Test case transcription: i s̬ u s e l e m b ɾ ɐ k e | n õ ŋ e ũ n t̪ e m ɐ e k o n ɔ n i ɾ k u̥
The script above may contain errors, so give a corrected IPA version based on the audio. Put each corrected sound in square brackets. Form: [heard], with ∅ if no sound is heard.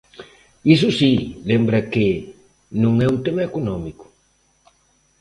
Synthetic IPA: i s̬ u s [i] l e m b ɾ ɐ k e | n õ ŋ [ɛ] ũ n t̪ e m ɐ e k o n ɔ [m] i [∅] k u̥